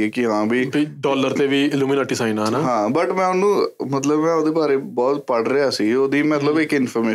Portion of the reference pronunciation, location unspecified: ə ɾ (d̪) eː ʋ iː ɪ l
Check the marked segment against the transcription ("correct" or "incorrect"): incorrect